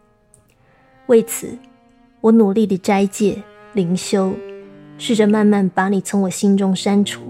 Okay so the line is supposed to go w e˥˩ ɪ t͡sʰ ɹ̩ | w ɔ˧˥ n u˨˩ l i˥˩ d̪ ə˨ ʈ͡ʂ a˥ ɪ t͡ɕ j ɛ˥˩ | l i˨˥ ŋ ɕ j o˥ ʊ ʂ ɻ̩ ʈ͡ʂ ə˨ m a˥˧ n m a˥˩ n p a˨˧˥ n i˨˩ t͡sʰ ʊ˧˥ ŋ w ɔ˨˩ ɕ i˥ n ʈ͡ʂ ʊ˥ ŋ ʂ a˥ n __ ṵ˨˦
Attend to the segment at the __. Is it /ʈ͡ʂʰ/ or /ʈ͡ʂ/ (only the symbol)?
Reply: ʈ͡ʂʰ